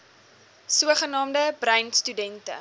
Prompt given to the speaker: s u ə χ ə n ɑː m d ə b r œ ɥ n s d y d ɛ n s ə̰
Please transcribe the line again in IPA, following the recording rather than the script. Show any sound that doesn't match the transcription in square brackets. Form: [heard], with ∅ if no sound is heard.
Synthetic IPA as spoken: s u ə χ ə n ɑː m d ə b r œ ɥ n s [t] y d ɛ n [t] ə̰